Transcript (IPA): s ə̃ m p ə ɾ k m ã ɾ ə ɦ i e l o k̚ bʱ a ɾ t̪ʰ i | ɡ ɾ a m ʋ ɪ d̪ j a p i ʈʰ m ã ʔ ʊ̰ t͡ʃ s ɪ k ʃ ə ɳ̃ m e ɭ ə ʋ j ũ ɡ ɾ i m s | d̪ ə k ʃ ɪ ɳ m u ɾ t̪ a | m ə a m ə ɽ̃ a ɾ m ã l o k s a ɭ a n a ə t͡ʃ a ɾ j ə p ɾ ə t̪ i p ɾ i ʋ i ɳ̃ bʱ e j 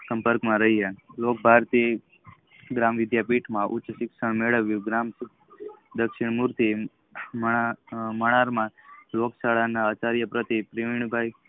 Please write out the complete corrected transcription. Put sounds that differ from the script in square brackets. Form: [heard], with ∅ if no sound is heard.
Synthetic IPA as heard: s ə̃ m p ə ɾ k m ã ɾ ə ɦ i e l o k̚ bʱ a ɾ [t̪] i | ɡ ɾ a m ʋ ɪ d̪ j a p i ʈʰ m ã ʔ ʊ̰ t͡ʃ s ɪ k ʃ ə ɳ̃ m e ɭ ə ʋ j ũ ɡ ɾ [a] m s | d̪ ə k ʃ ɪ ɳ m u ɾ t̪ [i] | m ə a m ə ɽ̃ a ɾ m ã l o k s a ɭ a n a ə t͡ʃ a ɾ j ə p ɾ ə t̪ i p ɾ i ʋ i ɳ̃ bʱ [a] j